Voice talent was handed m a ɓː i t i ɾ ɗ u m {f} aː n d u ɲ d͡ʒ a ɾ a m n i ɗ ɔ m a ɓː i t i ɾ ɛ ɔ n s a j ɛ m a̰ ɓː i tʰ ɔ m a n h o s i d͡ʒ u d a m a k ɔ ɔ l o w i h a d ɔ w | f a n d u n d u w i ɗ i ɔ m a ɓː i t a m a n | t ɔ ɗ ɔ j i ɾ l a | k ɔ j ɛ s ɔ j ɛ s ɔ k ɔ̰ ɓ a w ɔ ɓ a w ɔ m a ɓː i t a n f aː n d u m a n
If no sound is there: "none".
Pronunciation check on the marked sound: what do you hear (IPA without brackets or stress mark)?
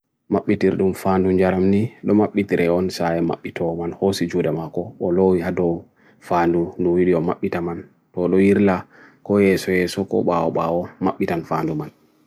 f